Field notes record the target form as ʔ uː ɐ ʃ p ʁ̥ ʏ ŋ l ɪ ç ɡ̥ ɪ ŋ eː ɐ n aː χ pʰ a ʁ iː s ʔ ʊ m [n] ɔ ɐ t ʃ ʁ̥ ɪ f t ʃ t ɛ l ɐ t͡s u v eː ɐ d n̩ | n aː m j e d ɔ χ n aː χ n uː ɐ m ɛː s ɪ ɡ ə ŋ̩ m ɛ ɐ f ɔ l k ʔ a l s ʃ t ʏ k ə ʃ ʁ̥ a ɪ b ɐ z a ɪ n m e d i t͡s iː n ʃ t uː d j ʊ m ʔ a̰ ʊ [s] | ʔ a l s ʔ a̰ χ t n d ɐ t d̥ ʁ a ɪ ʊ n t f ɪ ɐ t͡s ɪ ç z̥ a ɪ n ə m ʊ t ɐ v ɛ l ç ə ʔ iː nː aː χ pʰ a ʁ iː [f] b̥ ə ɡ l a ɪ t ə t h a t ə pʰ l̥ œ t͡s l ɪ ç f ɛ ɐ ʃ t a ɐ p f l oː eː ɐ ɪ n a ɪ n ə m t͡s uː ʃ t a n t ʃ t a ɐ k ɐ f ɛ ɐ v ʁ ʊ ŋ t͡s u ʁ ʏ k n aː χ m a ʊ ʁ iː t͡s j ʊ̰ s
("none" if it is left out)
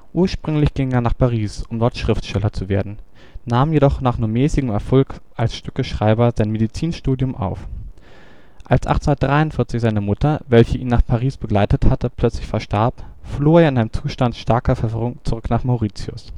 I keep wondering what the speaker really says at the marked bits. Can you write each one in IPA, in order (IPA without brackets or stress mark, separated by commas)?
d, f, s